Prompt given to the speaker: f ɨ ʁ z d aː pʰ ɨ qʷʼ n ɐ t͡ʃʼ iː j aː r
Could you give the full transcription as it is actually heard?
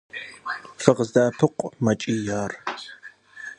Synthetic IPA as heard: f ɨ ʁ z d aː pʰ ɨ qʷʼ m ɐ t͡ʃʼ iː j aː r